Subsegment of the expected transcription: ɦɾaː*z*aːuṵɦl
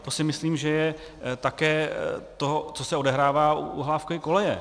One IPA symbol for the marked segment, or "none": v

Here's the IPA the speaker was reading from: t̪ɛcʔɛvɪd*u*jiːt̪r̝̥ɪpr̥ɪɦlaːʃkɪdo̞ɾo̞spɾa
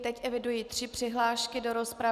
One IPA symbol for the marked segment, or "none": u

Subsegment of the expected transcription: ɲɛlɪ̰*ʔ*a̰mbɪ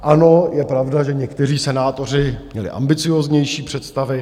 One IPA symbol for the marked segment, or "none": ʔ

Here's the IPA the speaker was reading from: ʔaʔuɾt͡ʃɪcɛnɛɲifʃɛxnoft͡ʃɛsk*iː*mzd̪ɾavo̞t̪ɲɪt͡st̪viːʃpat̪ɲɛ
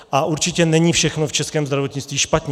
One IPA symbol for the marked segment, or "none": ɛː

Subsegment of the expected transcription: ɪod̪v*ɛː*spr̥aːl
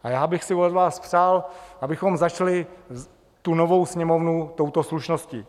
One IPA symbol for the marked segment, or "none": aː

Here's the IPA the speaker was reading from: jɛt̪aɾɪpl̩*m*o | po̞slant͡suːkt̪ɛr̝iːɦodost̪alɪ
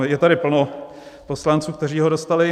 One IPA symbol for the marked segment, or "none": n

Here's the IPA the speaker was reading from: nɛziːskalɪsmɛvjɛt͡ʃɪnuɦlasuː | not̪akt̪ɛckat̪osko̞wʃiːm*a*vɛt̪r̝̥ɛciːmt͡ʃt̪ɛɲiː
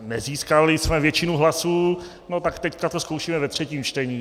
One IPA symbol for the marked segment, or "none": ɛ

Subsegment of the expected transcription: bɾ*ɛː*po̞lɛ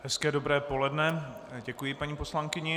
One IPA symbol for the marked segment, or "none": ɛː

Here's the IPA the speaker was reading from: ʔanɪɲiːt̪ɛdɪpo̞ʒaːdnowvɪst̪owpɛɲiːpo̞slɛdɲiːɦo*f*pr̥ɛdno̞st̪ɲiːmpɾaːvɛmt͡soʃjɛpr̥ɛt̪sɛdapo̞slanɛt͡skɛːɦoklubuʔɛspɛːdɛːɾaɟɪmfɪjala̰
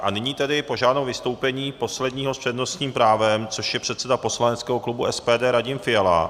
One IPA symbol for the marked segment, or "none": s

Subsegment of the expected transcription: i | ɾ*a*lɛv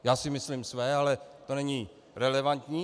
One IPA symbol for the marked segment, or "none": ɛ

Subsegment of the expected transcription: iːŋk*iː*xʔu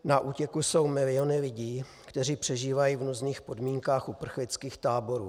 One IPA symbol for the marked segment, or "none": aː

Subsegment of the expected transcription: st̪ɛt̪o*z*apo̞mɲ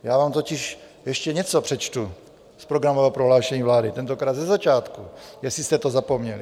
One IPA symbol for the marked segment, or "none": z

